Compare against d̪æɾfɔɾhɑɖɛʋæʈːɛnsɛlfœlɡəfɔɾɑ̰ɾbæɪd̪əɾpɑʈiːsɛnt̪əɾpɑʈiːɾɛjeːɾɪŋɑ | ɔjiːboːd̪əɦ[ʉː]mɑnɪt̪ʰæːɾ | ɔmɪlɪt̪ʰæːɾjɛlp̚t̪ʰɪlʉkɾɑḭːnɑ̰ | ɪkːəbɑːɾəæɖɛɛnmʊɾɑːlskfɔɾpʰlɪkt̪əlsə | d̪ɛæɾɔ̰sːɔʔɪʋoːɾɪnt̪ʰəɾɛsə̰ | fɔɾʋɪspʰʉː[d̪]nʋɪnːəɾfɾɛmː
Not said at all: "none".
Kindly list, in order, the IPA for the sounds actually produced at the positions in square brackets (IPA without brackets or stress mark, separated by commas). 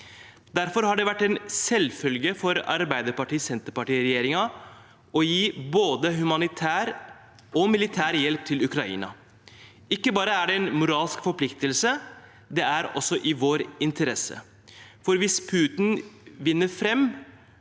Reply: ʉ, t̪